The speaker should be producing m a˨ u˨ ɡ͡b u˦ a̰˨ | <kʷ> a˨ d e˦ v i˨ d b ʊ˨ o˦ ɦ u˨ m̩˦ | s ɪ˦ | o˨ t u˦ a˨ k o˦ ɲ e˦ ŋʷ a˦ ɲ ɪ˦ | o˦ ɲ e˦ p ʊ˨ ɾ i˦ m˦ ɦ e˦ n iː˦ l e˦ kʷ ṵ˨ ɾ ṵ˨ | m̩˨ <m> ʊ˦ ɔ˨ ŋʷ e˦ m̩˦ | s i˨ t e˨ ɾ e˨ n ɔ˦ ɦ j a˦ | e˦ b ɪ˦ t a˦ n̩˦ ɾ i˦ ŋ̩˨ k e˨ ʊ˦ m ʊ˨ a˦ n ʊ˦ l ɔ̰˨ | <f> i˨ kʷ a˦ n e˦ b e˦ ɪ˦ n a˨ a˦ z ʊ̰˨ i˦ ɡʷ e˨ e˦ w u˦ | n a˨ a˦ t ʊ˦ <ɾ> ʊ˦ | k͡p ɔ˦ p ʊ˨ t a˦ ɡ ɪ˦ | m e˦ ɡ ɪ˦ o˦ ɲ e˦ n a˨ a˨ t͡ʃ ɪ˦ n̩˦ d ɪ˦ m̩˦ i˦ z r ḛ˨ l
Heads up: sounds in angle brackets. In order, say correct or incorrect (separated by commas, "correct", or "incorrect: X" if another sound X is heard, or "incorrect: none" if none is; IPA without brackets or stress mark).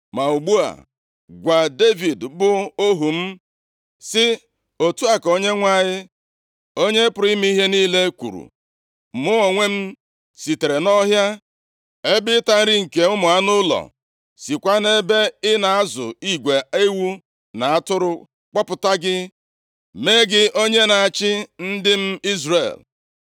incorrect: ɡʷ, correct, incorrect: s, correct